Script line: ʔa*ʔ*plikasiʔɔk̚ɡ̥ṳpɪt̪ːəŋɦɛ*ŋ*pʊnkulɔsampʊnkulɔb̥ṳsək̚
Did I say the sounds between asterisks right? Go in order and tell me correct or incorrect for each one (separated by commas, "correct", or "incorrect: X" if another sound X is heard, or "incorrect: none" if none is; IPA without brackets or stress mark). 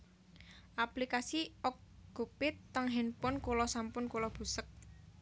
incorrect: none, incorrect: n